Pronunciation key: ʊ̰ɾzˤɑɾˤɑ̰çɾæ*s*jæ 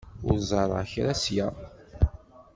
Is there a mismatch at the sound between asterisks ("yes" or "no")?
no